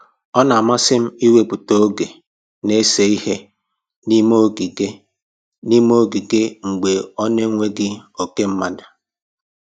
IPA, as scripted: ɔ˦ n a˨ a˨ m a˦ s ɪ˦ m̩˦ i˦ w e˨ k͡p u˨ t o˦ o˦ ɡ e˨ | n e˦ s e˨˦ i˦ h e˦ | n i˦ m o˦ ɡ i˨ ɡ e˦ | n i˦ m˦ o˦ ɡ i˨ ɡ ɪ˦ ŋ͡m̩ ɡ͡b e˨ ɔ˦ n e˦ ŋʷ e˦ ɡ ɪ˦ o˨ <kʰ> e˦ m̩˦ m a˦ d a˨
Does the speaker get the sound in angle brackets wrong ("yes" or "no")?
yes